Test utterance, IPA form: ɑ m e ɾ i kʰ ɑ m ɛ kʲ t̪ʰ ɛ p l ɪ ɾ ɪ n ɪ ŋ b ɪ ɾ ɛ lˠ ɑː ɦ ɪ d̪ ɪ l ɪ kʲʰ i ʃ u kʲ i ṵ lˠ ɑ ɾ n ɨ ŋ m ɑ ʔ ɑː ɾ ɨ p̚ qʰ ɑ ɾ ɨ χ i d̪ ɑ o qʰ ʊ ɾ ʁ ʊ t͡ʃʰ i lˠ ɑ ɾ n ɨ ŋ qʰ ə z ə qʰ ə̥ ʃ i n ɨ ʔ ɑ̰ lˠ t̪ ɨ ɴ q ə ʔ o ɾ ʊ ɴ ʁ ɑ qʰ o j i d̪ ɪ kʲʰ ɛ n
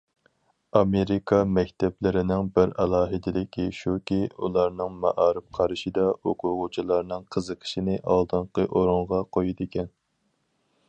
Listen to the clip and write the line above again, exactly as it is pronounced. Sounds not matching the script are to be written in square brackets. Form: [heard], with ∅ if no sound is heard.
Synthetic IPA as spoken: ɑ m e ɾ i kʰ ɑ m ɛ kʲ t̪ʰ ɛ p l ɪ ɾ ɪ n ɪ ŋ b ɪ ɾ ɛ lˠ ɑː ɦ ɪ d̪ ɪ l ɪ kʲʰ i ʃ u kʲ i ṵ lˠ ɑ ɾ n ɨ ŋ m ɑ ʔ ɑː ɾ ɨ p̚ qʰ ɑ ɾ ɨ [ʃ] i d̪ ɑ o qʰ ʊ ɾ ʁ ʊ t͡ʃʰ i lˠ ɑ ɾ n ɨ ŋ qʰ ə z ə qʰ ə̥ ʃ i n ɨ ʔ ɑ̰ lˠ [d̪] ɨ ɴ q ə ʔ o ɾ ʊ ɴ ʁ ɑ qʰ o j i d̪ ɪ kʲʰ ɛ n